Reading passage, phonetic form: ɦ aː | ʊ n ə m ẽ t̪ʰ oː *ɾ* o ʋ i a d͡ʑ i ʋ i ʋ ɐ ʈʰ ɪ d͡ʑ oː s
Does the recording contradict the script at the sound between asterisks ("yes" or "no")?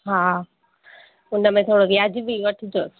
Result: yes